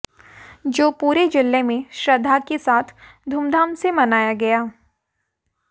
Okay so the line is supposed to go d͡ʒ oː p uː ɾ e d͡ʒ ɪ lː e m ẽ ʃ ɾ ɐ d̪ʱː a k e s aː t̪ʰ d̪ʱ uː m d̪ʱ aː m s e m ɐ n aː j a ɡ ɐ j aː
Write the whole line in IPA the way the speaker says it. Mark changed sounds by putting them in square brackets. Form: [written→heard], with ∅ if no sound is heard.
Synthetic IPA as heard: d͡ʒ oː p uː ɾ e d͡ʒ ɪ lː e m ẽ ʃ ɾ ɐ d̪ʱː a k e s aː t̪ʰ d̪ʱ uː m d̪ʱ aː m s e m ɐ n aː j a ɡ ɐ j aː